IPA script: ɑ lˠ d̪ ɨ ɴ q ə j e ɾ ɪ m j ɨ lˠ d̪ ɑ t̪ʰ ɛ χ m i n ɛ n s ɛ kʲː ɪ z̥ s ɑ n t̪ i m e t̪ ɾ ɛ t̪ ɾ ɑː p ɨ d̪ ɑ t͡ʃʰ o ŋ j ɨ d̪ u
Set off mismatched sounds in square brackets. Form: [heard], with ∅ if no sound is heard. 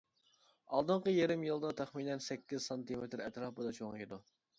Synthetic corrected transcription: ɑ lˠ d̪ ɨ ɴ q ə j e ɾ ɪ m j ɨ lˠ d̪ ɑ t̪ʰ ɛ χ m i n ɛ n s ɛ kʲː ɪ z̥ s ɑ n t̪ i m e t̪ ɾ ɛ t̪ ɾ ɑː p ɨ d̪ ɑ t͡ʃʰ o ŋ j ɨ d̪ u